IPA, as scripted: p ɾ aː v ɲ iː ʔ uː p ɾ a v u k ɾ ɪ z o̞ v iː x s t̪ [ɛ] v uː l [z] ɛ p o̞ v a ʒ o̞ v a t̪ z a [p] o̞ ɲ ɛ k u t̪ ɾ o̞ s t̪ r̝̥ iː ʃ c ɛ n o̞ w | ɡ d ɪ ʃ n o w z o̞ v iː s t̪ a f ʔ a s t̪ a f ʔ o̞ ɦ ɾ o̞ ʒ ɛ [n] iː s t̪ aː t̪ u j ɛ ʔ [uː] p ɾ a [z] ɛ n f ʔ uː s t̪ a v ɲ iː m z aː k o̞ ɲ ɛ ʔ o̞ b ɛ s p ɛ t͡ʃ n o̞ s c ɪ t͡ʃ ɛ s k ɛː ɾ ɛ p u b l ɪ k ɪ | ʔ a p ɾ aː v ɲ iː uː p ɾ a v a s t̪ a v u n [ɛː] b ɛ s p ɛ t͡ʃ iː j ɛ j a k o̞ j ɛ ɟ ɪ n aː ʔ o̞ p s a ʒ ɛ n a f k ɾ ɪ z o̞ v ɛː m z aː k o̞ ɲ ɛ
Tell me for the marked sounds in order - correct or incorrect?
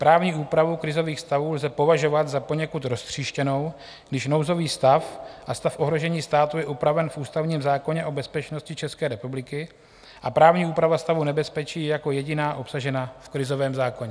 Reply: incorrect, correct, correct, incorrect, incorrect, incorrect, incorrect

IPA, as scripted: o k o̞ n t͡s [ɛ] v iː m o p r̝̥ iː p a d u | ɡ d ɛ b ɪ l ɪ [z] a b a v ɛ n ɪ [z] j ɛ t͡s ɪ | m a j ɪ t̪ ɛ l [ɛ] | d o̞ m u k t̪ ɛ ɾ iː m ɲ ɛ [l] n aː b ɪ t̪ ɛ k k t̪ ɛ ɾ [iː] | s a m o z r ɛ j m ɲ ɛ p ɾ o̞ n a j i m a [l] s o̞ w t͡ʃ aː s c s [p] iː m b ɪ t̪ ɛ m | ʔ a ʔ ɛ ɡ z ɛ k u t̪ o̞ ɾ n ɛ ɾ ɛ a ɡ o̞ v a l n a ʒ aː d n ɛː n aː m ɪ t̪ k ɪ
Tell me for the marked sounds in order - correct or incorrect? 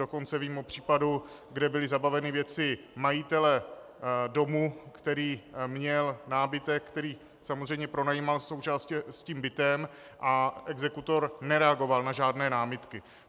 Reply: correct, correct, incorrect, correct, correct, correct, correct, incorrect

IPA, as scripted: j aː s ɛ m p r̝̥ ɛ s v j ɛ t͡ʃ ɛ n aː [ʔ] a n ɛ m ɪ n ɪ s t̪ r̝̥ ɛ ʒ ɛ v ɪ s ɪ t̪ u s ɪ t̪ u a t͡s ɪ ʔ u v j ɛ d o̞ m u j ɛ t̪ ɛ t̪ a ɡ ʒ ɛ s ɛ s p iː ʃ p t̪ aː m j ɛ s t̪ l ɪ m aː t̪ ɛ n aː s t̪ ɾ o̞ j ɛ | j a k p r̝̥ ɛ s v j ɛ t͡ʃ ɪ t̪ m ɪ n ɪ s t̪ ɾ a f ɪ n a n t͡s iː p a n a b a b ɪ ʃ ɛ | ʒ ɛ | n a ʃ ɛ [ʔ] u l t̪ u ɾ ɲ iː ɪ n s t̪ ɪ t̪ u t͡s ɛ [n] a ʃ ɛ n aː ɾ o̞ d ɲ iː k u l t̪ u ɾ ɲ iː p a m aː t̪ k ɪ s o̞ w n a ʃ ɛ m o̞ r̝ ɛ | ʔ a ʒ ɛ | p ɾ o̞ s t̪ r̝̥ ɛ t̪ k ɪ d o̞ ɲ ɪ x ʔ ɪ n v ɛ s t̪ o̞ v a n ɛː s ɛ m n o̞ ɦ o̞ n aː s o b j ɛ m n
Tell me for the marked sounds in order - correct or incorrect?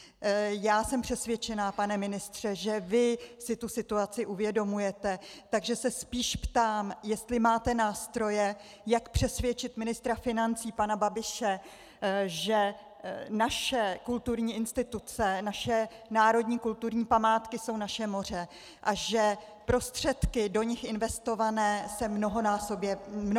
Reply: incorrect, incorrect, correct

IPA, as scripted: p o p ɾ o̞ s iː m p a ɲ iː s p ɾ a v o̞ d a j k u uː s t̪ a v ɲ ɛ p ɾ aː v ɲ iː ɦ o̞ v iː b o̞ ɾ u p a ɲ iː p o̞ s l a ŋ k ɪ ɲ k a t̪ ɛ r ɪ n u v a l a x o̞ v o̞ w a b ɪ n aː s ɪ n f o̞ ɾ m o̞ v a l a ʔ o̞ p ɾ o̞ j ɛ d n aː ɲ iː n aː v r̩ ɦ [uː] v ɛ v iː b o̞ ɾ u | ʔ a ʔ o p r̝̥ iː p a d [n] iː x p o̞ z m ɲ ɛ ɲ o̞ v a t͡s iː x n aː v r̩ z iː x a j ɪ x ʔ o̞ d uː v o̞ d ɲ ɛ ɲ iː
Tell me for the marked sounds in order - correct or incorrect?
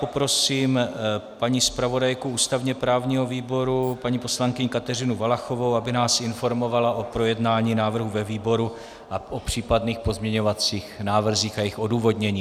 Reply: incorrect, correct

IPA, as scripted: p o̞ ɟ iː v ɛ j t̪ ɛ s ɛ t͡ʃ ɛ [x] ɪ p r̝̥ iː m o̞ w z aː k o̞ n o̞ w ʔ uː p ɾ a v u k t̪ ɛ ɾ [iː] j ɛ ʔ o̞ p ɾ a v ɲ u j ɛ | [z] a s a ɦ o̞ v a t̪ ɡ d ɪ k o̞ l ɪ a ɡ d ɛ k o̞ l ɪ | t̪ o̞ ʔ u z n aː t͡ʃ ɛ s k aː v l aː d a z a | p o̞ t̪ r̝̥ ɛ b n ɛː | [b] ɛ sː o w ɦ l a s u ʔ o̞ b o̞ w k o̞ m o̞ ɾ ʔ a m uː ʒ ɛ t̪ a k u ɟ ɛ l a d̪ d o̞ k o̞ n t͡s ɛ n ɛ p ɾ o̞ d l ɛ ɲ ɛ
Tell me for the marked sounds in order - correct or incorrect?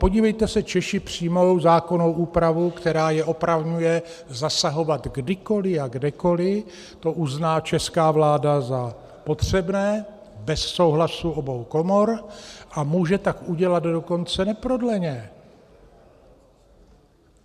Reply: incorrect, incorrect, correct, correct

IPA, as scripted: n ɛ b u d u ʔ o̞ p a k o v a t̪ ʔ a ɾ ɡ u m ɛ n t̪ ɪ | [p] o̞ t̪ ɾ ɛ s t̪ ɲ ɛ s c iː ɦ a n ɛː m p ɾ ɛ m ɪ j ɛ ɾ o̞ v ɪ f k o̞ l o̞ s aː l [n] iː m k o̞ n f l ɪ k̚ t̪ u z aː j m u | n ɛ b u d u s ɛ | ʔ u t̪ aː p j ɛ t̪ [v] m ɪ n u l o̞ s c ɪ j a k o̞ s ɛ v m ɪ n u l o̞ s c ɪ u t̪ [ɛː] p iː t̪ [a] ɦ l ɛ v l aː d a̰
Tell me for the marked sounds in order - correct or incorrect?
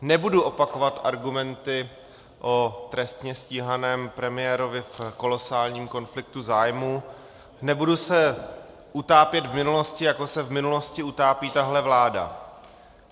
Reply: incorrect, incorrect, correct, incorrect, correct

